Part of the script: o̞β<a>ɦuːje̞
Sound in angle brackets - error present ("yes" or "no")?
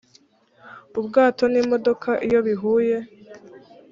yes